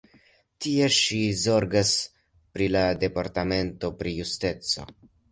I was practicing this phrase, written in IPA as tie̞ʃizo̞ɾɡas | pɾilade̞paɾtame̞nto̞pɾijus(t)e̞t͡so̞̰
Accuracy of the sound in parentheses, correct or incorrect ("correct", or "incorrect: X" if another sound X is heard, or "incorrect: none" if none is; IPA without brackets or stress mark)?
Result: correct